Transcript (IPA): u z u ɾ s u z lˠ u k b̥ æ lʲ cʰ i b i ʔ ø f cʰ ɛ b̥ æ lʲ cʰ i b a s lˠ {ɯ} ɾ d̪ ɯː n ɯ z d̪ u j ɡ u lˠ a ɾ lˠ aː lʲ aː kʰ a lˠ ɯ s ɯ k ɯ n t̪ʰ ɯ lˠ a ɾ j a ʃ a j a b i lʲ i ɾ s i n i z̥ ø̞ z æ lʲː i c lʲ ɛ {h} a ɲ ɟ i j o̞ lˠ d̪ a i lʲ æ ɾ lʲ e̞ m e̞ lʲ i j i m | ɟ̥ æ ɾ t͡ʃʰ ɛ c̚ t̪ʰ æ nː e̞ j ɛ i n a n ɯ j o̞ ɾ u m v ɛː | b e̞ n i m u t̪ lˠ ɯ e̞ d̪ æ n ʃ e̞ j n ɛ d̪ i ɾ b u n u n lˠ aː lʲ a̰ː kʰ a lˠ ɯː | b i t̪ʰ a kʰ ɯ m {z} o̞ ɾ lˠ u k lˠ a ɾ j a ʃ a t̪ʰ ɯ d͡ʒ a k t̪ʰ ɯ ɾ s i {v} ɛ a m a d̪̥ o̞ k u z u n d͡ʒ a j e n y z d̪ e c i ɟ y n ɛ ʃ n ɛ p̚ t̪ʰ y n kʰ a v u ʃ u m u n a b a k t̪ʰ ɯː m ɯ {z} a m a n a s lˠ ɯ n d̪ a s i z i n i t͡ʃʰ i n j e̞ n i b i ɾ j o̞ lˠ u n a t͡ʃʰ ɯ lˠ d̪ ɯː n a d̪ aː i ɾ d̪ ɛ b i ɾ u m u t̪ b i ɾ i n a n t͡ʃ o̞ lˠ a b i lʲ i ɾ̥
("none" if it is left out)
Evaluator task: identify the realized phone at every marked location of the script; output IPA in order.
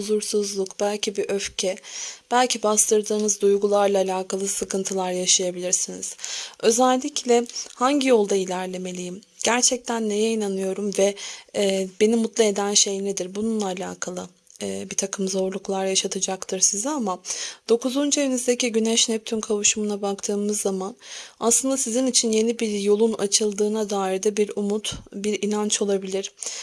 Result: ɯ, h, z, z, zː

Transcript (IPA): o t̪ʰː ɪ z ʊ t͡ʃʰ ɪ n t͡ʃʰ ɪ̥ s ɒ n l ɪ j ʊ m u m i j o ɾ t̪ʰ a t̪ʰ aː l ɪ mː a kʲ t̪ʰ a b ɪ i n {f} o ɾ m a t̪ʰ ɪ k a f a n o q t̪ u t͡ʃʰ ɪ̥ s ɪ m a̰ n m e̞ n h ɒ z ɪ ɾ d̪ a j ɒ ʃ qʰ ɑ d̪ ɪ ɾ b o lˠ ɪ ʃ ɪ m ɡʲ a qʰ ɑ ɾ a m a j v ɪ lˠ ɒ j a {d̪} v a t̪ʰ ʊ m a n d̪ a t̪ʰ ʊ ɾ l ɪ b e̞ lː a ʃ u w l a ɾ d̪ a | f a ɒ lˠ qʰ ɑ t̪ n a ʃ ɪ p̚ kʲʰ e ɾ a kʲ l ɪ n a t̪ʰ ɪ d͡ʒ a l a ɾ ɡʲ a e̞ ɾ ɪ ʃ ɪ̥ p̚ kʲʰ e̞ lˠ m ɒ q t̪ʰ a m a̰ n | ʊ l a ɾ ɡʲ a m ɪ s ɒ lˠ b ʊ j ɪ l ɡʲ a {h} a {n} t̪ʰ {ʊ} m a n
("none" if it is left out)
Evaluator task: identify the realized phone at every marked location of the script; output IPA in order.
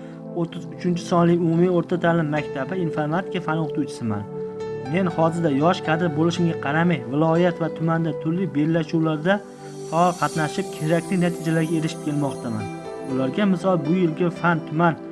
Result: f, t̪, f, n, ʊ

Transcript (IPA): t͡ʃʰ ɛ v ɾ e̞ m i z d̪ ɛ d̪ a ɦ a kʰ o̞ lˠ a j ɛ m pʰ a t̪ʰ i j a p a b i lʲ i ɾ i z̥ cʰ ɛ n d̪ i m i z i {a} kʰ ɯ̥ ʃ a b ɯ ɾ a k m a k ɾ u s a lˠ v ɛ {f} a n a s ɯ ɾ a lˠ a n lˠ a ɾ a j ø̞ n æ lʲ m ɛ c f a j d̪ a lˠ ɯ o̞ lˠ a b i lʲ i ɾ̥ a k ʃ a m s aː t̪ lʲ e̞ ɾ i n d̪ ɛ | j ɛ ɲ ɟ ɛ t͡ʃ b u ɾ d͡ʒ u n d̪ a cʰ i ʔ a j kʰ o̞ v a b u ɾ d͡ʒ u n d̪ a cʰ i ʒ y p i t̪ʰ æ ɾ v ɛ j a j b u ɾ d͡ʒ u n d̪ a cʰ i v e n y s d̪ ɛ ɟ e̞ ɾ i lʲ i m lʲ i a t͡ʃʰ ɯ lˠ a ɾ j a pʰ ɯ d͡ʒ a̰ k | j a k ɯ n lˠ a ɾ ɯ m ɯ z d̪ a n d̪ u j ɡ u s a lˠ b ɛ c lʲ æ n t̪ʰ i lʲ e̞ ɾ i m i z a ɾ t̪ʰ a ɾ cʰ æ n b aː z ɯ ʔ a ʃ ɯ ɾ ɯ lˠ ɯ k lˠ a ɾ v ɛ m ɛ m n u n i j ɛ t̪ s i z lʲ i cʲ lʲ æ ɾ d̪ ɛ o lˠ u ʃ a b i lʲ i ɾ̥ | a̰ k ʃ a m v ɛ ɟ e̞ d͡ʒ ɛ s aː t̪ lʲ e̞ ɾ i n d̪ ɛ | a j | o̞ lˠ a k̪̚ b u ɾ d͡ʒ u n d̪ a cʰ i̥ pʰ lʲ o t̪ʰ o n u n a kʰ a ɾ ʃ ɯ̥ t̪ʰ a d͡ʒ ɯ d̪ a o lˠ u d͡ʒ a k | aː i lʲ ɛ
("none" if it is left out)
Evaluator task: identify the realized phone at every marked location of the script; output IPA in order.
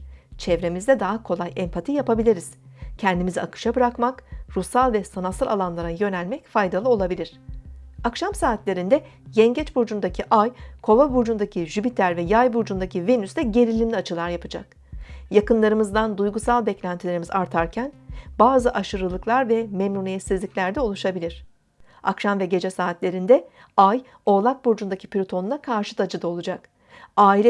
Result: a, s

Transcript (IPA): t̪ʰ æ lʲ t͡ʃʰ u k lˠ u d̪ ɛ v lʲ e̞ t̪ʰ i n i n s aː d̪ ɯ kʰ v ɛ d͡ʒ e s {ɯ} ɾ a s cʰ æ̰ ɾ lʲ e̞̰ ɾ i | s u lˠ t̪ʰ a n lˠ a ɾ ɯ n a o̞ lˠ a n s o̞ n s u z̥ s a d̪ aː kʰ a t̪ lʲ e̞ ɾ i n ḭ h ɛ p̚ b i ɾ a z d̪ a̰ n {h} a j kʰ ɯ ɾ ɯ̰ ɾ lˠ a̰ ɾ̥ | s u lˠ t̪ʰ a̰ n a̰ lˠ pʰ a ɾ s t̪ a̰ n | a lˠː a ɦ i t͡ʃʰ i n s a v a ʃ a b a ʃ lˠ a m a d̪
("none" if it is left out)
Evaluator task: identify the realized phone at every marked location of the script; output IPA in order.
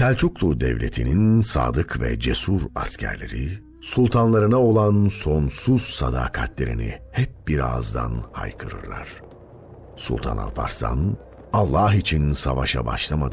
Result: u, h

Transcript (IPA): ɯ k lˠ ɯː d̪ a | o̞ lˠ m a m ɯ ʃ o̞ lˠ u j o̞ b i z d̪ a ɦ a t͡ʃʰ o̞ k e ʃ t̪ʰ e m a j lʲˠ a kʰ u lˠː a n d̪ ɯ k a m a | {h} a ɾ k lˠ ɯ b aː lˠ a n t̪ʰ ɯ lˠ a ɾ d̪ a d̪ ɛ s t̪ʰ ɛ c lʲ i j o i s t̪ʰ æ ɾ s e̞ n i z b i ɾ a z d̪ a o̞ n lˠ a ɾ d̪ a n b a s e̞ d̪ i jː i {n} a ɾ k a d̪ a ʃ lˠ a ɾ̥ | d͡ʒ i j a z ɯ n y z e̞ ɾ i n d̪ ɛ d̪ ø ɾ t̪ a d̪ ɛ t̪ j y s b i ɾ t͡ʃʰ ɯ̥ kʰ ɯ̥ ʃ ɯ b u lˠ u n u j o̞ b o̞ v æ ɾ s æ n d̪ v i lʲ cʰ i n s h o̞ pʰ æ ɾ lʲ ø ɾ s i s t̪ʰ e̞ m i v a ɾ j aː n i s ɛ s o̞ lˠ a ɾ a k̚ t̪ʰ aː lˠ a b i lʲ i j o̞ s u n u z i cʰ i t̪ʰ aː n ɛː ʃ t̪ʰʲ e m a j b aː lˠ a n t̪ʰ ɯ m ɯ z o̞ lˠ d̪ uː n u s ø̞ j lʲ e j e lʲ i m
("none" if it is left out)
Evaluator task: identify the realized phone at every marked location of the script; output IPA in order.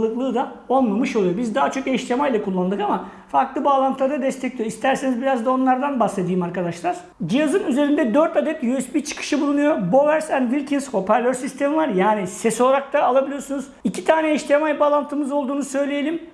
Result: f, m

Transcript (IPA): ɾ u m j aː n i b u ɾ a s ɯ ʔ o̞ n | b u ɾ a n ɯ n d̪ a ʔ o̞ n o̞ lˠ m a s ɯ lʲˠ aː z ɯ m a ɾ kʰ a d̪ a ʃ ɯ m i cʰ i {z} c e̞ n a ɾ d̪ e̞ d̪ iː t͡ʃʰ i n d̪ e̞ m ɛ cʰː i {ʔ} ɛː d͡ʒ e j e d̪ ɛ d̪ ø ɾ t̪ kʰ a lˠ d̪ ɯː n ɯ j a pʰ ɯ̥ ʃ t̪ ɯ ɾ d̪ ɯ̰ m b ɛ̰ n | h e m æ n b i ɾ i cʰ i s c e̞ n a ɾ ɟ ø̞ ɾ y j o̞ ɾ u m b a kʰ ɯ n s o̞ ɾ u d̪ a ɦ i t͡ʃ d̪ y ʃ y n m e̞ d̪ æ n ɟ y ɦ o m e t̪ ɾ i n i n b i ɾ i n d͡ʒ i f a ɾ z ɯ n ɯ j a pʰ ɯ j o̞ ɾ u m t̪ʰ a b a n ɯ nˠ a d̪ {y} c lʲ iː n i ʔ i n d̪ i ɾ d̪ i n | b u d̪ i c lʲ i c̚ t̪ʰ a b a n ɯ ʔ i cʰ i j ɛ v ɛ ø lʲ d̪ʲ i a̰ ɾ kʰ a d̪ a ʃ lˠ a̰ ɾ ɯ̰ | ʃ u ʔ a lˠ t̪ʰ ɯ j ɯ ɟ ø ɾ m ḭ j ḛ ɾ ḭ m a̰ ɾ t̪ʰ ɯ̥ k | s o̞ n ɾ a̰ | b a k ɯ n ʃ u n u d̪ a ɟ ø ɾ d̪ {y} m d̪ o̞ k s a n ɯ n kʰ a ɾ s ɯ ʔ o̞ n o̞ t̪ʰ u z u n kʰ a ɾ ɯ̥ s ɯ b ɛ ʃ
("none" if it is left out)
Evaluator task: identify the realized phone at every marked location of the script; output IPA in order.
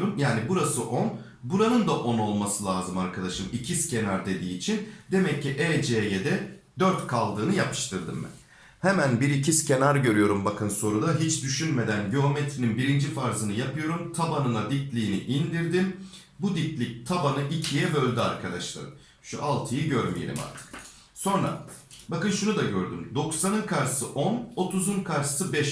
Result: s, ʔ, i, y

